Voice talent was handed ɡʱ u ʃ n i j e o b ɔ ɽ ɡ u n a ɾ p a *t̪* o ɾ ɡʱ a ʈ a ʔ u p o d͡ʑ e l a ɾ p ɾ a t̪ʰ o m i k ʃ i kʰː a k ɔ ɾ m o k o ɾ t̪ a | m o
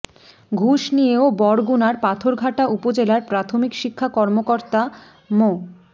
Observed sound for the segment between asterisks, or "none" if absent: t̪ʰ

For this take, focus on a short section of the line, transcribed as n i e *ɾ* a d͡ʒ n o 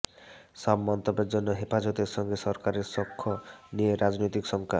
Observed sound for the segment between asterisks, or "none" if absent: ɾ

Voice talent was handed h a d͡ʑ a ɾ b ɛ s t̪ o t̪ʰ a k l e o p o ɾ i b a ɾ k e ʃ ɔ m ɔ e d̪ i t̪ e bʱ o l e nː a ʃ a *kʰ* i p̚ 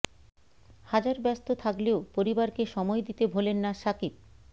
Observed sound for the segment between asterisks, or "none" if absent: k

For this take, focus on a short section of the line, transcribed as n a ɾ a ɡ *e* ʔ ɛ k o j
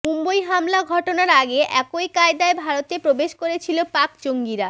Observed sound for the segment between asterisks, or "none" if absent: e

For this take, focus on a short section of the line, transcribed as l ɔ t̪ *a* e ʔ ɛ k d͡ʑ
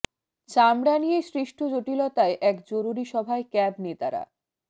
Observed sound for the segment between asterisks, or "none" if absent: a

